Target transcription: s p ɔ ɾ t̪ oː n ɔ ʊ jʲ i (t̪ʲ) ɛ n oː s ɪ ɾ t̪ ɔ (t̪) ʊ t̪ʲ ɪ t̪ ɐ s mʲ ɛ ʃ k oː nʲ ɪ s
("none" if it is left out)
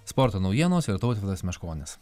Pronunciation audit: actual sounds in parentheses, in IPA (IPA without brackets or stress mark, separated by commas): none, none